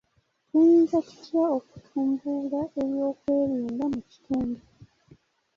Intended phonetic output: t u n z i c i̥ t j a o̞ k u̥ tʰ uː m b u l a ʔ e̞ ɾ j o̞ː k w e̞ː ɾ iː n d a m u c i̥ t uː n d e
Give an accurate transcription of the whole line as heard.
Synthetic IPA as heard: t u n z a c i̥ t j a o̞ k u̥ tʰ uː m b u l a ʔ e̞ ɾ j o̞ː k w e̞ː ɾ iː n d a m u c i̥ t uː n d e